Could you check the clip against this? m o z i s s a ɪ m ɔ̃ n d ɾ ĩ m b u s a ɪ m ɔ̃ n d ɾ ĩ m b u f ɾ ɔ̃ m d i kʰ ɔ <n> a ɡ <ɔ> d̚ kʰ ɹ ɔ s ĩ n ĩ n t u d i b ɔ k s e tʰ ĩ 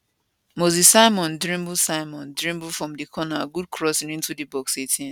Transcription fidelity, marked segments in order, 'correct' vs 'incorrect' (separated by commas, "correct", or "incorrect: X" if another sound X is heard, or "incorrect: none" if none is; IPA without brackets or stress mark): correct, incorrect: u